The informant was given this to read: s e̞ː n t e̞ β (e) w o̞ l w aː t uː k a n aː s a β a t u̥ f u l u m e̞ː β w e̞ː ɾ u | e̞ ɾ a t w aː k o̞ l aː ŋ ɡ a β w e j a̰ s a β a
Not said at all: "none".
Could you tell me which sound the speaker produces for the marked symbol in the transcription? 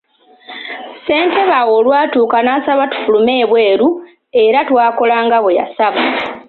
a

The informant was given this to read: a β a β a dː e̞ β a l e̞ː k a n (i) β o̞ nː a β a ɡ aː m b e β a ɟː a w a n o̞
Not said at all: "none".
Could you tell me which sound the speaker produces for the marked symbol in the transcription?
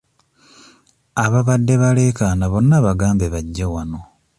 a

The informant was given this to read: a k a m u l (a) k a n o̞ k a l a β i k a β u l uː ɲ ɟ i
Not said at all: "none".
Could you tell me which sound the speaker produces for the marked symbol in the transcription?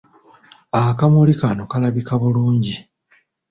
i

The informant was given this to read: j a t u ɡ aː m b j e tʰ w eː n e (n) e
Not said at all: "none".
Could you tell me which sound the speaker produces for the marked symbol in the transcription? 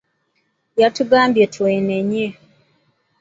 ɲ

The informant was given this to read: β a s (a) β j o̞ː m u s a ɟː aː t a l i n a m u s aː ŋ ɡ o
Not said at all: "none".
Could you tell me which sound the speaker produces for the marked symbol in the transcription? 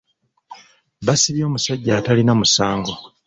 i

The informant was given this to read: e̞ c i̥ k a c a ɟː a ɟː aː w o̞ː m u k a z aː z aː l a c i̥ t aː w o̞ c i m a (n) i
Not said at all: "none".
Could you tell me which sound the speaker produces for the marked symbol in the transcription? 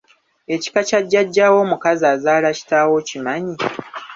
ɲ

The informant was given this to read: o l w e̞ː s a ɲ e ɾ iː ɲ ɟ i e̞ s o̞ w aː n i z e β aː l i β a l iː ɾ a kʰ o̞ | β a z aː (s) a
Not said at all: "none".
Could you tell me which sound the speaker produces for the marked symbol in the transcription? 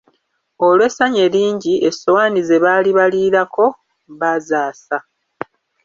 s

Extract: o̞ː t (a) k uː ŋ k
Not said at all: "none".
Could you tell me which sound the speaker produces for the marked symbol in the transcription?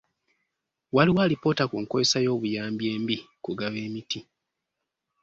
a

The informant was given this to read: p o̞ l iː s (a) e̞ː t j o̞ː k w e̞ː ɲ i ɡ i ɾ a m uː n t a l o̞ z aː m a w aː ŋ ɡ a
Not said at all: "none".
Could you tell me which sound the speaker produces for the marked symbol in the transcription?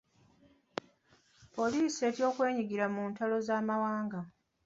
i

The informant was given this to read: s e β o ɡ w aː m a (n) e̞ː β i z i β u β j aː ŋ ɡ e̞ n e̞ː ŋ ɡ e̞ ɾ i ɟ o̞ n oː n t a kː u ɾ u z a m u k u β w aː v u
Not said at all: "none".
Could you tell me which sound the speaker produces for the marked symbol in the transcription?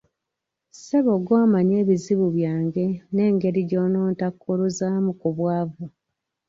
ɲ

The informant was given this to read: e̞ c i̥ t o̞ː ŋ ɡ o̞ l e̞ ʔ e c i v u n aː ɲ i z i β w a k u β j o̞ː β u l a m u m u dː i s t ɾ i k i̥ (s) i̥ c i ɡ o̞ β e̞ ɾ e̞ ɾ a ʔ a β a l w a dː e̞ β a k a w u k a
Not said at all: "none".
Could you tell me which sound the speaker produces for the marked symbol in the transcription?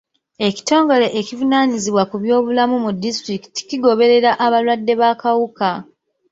t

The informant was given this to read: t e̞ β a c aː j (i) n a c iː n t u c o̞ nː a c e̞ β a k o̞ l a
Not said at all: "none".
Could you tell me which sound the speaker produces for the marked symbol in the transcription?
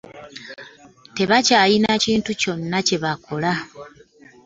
i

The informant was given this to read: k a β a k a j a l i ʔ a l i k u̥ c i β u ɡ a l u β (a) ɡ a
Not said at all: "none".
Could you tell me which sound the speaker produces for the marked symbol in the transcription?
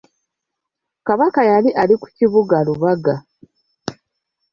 a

